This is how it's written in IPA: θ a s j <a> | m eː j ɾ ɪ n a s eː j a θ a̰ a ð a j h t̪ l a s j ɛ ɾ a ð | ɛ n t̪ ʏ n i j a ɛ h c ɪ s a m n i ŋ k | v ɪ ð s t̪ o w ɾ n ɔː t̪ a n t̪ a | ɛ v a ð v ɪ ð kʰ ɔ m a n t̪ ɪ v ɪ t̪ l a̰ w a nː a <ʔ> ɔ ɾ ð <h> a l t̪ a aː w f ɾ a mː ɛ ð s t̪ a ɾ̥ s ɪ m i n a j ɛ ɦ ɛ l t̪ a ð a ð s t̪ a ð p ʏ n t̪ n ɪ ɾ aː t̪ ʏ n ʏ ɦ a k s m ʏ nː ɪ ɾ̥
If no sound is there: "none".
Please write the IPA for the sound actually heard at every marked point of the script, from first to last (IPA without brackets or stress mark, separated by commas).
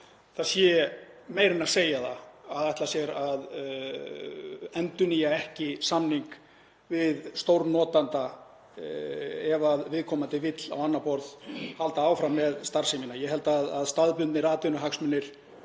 ɛ, p, h